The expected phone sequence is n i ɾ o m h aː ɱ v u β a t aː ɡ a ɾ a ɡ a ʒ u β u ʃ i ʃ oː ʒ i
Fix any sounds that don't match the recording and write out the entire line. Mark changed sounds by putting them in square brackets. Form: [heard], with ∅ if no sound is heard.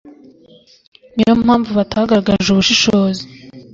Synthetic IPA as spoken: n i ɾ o m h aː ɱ v u β a t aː ɡ a ɾ a ɡ a ʒ u β u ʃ i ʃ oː [z] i